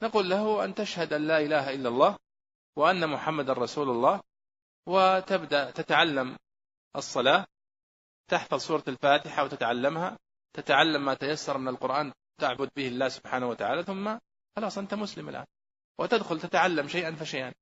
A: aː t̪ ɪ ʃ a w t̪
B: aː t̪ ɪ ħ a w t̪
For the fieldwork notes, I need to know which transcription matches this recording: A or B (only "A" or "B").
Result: B